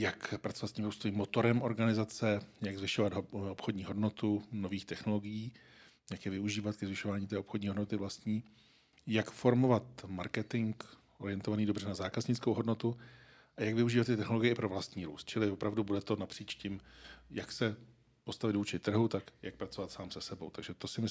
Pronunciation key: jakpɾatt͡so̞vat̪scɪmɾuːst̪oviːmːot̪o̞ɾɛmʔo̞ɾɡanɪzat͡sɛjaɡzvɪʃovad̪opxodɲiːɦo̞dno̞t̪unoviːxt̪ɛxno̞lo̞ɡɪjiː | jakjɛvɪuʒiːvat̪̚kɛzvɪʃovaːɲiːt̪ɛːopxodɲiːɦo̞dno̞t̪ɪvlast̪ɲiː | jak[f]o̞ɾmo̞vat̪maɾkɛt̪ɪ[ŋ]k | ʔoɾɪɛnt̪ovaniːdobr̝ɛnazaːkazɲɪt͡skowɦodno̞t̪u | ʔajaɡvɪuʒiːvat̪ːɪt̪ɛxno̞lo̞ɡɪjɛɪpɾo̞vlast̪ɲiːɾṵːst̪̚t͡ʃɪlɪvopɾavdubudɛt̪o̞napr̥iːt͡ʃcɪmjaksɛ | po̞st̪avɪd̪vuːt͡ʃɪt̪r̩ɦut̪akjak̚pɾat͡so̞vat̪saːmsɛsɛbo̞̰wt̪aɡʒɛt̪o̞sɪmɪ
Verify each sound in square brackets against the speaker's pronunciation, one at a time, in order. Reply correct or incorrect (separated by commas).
correct, correct